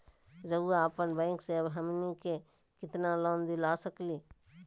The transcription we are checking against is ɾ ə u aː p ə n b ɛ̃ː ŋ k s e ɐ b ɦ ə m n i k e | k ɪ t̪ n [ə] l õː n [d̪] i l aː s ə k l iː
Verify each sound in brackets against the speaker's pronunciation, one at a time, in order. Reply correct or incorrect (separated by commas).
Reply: incorrect, correct